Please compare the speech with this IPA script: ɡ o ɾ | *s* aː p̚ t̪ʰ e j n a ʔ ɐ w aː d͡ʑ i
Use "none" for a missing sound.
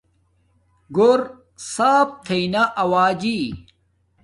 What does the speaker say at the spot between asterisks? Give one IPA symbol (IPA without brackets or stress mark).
s